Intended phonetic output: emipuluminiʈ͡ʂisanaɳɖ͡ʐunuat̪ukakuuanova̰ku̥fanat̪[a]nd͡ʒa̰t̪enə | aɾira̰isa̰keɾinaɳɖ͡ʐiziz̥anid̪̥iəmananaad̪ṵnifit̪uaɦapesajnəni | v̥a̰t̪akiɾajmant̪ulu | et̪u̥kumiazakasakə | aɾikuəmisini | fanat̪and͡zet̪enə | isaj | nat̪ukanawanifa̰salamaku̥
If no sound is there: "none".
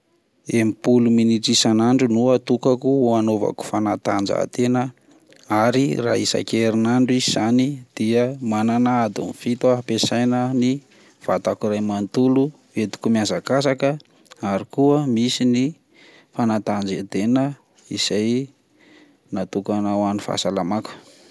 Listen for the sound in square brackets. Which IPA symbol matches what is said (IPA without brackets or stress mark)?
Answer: a